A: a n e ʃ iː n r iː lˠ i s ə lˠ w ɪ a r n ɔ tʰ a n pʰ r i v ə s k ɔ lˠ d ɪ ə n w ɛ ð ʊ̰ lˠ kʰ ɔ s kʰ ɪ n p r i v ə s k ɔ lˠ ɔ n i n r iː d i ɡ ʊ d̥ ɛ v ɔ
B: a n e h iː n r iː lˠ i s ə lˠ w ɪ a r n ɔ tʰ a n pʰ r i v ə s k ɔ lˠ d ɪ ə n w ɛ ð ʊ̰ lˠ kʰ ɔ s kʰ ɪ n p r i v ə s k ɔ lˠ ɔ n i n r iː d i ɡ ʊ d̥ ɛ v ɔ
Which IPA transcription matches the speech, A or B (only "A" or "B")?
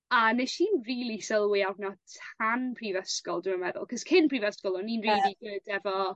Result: A